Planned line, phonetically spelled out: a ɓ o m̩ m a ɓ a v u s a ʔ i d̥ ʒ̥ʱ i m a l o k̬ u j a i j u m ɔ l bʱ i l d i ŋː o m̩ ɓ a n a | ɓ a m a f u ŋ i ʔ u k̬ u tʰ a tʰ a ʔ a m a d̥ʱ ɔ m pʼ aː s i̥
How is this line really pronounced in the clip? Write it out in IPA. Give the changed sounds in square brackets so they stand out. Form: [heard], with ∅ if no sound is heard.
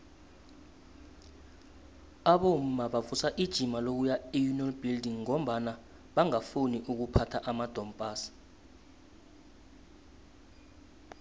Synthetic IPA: a ɓ o m̩ m a ɓ a v u s a ʔ i d̥ ʒ̥ʱ i m a l o k̬ u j a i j u [n] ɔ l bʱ i l d i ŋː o m̩ ɓ a n a | ɓ a [ŋ] a f u [n] i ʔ u k̬ u [pʰ] a tʰ a ʔ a m a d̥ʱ ɔ m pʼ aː s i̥